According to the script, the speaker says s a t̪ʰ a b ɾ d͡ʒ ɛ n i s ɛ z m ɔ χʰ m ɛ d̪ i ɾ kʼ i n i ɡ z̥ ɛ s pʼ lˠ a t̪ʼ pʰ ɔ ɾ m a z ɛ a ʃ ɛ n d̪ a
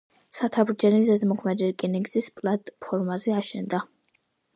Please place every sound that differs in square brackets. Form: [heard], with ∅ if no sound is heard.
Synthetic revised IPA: s a t̪ʰ a b ɾ d͡ʒ ɛ n i [z] ɛ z m ɔ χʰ m ɛ d̪ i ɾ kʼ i n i ɡ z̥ [i] s pʼ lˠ a t̪ʼ pʰ ɔ ɾ m a z ɛ a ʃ ɛ n d̪ a